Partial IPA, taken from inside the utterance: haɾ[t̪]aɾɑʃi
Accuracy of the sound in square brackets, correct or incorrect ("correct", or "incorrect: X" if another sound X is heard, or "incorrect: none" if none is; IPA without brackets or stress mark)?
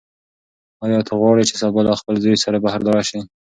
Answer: incorrect: d̪